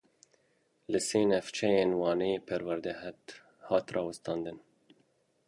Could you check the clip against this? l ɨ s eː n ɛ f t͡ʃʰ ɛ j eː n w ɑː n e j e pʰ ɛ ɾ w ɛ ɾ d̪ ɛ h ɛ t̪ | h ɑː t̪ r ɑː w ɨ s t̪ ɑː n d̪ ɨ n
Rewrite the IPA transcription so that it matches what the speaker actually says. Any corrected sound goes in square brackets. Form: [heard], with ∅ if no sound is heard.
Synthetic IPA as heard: l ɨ s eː n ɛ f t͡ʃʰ ɛ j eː n w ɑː n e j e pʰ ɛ ɾ w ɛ ɾ d̪ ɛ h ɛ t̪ | h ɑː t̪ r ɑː w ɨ s t̪ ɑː n d̪ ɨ n